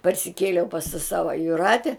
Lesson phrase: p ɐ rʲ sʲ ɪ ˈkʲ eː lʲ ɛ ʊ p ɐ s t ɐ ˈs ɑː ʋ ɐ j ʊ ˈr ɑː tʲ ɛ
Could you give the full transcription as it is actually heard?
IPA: p ɐ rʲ sʲ ɪ ˈkʲ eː lʲ ɛ ʊ p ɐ s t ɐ ˈs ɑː ʋ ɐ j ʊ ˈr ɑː tʲ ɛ